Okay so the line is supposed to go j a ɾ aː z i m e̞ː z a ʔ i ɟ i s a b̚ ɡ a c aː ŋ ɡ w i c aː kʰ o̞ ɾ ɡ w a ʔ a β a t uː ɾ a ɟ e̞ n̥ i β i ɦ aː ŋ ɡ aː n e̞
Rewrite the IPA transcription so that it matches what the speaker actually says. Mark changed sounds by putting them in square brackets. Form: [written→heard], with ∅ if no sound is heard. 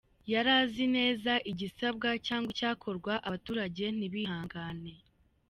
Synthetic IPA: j a ɾ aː z i [m→n] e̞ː z a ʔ i ɟ i s a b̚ ɡ a c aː ŋ ɡ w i c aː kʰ o̞ ɾ ɡ w a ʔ a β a t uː ɾ a ɟ e̞ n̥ i β i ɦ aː ŋ ɡ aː n e̞